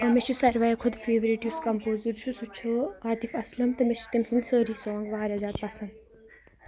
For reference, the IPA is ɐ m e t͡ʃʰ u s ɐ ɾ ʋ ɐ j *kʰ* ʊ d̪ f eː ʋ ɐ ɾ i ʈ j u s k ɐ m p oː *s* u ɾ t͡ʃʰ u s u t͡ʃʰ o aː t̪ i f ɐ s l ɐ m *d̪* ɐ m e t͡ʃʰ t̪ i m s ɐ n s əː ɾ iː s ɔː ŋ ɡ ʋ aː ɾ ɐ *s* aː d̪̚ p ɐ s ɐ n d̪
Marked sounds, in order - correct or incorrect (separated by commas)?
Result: correct, incorrect, incorrect, incorrect